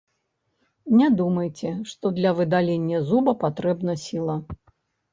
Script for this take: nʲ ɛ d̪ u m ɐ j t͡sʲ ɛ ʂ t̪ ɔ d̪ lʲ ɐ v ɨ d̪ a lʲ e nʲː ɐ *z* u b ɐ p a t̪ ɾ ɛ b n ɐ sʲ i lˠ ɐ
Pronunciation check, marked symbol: correct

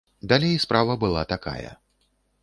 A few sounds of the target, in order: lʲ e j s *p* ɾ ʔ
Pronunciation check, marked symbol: correct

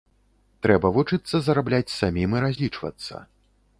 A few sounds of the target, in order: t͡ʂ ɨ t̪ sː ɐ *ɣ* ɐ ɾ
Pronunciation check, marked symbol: incorrect: z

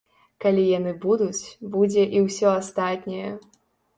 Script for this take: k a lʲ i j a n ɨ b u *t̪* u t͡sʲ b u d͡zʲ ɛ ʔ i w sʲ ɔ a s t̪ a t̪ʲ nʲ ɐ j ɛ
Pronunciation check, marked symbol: incorrect: d̪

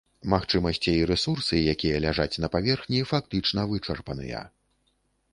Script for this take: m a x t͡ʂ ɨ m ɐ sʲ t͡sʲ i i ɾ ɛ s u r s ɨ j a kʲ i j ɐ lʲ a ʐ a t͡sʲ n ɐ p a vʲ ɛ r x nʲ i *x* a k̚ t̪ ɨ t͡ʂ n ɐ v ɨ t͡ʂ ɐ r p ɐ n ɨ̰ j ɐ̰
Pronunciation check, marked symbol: incorrect: f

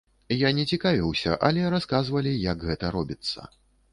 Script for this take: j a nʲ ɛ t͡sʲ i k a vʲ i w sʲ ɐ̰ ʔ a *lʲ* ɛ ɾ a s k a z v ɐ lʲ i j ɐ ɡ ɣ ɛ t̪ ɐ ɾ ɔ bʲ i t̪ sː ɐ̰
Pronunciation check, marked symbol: correct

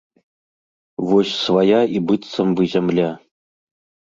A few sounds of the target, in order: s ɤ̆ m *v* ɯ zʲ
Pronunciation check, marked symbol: incorrect: b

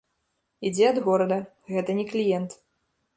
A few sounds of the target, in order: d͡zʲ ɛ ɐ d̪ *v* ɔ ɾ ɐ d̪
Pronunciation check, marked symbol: incorrect: ɣ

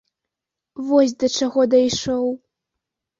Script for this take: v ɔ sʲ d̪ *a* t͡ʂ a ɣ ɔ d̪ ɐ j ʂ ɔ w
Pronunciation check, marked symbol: incorrect: ɐ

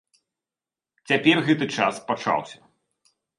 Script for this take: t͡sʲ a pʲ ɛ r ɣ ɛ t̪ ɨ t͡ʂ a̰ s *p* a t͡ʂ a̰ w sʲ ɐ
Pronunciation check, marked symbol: correct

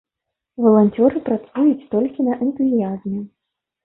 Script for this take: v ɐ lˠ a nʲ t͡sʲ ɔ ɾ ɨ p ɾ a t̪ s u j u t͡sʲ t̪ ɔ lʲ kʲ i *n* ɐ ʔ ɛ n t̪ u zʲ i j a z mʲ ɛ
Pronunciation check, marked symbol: correct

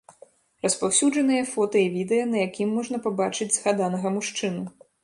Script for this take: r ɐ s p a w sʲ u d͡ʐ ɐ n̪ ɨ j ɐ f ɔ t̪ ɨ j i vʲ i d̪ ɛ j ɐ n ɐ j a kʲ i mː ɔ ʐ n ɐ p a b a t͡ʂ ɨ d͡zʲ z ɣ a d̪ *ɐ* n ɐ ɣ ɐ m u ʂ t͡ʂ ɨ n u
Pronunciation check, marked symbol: incorrect: a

